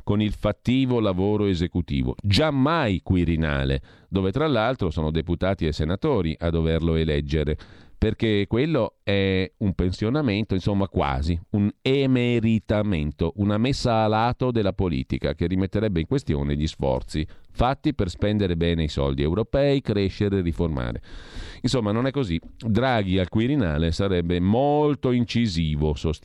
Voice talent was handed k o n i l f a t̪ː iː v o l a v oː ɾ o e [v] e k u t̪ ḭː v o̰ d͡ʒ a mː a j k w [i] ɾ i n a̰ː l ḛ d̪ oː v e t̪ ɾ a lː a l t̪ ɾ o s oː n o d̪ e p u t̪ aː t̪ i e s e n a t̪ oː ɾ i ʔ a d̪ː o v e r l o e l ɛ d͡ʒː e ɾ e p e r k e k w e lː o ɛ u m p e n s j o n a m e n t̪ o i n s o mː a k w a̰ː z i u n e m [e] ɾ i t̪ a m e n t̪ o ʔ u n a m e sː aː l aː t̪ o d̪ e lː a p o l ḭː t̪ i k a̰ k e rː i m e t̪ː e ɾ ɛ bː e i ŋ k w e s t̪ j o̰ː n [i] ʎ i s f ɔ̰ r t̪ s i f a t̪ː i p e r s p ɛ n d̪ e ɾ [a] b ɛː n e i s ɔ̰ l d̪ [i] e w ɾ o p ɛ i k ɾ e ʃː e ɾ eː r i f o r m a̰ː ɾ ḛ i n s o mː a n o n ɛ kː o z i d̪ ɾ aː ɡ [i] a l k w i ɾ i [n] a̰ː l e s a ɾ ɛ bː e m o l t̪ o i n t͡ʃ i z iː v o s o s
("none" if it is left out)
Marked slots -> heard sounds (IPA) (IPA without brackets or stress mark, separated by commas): z, i, e, e, e, i, i, n